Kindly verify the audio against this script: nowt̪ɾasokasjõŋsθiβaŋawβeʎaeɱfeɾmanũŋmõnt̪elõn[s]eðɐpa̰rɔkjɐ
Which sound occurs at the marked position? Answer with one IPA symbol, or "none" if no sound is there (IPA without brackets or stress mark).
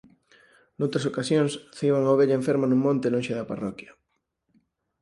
ʃ